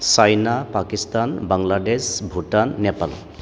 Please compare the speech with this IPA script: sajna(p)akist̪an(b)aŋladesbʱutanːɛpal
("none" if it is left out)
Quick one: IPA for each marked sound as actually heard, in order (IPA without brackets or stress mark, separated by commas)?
p, b